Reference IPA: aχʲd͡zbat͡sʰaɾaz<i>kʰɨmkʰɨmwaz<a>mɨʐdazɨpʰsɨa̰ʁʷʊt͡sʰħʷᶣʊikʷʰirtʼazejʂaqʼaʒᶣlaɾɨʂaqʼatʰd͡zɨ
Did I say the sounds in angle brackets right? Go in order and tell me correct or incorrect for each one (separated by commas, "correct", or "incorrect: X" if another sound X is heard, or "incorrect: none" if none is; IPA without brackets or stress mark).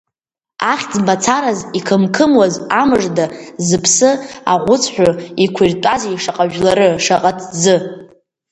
correct, correct